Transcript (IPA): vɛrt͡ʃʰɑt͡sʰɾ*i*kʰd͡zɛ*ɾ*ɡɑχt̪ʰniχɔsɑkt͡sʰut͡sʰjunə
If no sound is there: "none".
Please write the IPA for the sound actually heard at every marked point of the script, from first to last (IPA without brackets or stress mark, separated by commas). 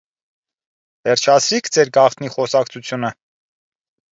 i, ɾ